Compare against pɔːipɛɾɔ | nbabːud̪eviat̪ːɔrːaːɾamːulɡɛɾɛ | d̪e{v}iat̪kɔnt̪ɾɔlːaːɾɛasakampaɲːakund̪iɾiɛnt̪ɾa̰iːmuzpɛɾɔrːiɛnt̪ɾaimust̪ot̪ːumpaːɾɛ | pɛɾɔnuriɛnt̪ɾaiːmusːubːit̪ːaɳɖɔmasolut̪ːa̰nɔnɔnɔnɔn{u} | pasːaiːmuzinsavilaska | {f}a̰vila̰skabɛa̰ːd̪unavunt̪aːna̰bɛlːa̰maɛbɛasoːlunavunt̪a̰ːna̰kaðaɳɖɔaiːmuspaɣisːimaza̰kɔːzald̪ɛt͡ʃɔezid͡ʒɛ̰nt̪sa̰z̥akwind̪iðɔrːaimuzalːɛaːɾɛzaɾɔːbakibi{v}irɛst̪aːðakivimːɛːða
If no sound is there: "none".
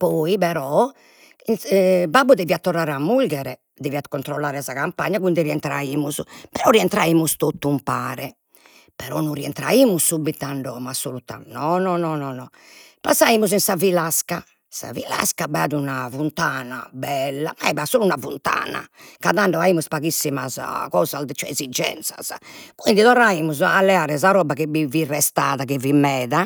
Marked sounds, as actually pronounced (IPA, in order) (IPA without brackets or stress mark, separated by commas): v, ɔ, s, v